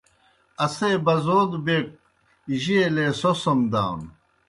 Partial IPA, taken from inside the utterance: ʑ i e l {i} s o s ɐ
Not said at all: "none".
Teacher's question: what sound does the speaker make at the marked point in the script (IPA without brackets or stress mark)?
e